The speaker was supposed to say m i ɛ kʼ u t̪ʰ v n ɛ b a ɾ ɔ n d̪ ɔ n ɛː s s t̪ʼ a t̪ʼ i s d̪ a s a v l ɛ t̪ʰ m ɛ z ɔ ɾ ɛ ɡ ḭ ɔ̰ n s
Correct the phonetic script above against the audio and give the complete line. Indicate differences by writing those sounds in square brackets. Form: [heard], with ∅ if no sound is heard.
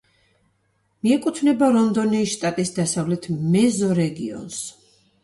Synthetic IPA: m i ɛ kʼ u t̪ʰ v n ɛ b a ɾ ɔ n d̪ ɔ n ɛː s [ʃ] t̪ʼ a t̪ʼ i s d̪ a s a v l ɛ t̪ʰ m ɛ z ɔ ɾ ɛ ɡ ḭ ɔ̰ n s